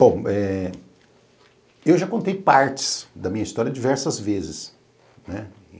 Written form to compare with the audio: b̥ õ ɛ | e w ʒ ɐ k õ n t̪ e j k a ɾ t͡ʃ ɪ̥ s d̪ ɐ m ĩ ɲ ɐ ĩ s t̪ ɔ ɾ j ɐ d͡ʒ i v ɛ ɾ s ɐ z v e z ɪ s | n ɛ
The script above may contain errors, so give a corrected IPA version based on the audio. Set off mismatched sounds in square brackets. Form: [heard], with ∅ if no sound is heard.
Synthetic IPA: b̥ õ ɛ | e w ʒ [a] k õ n t̪ e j [p] a ɾ t͡ʃ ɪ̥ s d̪ ɐ m ĩ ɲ ɐ [i] s t̪ ɔ ɾ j ɐ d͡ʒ i v ɛ ɾ s ɐ z v e z ɪ s | n ɛ